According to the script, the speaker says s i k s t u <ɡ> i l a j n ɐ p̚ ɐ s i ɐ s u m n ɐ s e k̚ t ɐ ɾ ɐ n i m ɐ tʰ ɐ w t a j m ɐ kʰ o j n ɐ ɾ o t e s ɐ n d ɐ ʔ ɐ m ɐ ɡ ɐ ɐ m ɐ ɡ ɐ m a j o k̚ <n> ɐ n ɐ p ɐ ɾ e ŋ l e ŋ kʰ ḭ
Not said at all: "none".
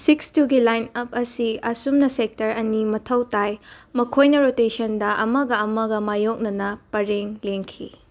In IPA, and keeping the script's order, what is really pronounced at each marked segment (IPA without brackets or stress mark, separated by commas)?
ɡ, n